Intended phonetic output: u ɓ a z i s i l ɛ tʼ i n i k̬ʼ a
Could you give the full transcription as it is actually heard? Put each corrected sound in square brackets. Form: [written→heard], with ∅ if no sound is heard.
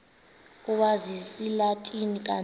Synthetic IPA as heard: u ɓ a z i s i l [ɛ→a] tʼ i n i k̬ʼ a